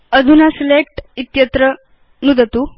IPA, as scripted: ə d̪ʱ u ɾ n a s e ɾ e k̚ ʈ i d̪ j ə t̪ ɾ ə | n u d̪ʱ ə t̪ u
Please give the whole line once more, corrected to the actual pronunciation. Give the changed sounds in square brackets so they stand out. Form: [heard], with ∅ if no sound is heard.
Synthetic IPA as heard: ə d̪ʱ u [∅] n a s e [l] e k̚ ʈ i [t̪] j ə t̪ ɾ ə | n u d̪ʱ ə t̪ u